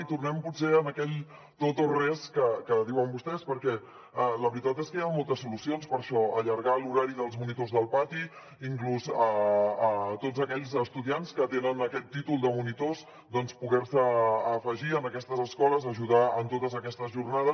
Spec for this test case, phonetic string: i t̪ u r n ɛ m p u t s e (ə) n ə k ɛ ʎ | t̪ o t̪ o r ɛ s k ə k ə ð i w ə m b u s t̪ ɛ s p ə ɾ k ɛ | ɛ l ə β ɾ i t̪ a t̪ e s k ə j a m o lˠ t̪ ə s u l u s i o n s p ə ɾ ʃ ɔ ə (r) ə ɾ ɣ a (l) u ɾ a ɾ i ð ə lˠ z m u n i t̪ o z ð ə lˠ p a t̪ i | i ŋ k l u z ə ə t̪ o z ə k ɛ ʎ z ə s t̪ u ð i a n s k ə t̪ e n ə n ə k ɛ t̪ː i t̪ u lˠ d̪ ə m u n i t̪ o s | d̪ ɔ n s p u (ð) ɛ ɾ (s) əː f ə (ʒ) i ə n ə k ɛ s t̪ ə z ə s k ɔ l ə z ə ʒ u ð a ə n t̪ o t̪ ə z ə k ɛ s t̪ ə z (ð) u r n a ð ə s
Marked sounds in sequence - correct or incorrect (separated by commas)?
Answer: correct, incorrect, correct, incorrect, correct, correct, incorrect